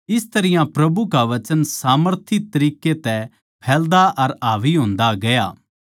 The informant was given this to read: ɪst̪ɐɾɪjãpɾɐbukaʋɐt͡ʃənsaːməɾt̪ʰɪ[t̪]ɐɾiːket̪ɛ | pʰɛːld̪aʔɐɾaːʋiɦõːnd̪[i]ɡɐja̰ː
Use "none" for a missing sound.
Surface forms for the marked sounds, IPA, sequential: t̪, a

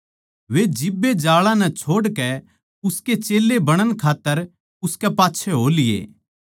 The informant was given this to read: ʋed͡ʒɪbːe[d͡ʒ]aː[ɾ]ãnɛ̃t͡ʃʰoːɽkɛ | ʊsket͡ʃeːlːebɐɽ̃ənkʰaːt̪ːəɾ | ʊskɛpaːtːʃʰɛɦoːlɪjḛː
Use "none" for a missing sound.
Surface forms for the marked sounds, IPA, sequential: d͡ʒ, ɭ

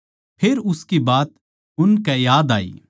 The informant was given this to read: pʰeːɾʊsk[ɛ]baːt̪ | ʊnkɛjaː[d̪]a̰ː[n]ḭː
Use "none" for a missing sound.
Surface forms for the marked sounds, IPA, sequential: i, d̪, none

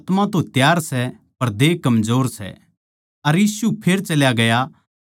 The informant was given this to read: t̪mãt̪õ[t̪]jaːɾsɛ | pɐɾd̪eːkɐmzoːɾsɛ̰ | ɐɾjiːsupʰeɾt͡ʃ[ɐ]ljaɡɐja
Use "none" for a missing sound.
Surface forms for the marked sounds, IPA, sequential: t̪, ɐ

